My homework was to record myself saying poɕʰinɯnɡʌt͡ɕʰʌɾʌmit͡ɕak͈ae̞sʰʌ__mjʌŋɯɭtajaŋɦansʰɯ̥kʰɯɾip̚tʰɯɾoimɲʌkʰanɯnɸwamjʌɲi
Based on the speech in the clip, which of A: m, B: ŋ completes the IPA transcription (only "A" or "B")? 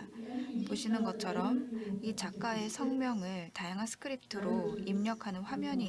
B